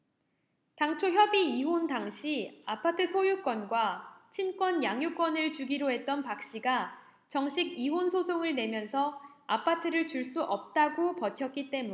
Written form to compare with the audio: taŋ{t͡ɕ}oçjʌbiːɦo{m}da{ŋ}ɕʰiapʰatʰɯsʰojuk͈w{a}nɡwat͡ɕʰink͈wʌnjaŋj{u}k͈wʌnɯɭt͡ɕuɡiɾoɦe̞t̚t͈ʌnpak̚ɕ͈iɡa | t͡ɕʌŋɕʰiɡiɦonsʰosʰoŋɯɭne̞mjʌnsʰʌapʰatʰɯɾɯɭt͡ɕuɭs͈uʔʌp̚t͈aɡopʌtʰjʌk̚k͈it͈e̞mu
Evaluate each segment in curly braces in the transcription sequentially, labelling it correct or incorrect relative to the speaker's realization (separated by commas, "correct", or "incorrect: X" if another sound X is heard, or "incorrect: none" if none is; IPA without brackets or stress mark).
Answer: incorrect: t͡ɕʰ, incorrect: n, correct, incorrect: ʌ, correct